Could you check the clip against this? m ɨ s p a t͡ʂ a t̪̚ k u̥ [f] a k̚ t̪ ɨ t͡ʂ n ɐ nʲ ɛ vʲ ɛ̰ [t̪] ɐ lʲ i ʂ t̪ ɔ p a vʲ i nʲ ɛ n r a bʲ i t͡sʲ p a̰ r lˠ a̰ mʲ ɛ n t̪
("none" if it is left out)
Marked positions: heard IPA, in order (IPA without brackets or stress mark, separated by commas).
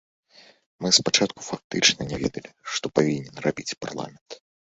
f, d̪